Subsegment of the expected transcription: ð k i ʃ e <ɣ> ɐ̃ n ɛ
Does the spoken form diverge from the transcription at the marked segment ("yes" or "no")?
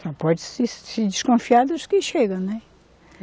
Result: no